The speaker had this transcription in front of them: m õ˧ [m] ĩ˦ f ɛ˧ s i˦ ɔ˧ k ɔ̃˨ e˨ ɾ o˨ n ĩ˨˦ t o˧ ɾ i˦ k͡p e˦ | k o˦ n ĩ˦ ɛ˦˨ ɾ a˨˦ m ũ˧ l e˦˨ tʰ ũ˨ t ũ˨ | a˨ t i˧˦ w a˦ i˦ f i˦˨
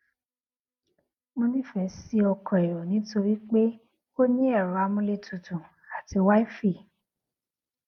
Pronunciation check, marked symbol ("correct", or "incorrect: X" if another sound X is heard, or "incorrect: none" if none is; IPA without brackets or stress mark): incorrect: n